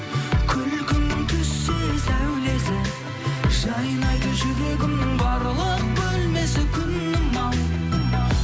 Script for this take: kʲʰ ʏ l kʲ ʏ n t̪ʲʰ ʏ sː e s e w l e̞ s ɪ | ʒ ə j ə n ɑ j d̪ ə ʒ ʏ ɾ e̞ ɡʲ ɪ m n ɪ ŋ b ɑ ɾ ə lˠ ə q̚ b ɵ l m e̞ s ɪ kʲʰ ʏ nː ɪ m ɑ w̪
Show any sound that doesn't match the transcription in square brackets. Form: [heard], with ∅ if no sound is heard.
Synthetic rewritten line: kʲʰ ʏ l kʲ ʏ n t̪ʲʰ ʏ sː e s [æ] w l e̞ s ɪ | ʒ [ɑ] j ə n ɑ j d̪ ə ʒ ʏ ɾ e̞ ɡʲ ɪ m n ɪ ŋ b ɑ ɾ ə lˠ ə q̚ b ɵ l m e̞ s ɪ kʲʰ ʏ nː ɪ m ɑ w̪